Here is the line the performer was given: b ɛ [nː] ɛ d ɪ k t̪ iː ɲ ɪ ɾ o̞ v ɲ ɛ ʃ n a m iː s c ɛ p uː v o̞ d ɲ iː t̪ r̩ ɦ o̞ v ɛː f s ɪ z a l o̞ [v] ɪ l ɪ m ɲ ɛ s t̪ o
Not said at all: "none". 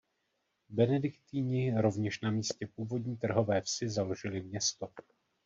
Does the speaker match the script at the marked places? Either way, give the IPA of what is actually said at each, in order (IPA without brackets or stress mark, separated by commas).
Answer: n, ʒ